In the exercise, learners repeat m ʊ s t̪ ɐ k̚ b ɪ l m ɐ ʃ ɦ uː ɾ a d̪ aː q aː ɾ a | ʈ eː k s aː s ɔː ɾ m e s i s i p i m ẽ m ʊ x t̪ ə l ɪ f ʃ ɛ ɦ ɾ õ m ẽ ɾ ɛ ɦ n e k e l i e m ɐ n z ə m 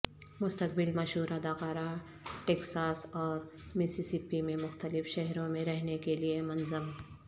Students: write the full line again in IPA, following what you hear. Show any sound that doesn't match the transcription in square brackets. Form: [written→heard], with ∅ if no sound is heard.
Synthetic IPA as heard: m ʊ s t̪ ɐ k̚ b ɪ l m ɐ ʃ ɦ uː ɾ a d̪ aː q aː ɾ a | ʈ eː k s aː s ɔː ɾ m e s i s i p i m ẽ m ʊ x t̪ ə l ɪ f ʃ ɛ ɦ ɾ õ m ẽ ɾ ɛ ɦ n e k e l i e m ɐ n z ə m